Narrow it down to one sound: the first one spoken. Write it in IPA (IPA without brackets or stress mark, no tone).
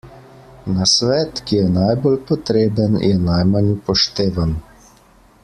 n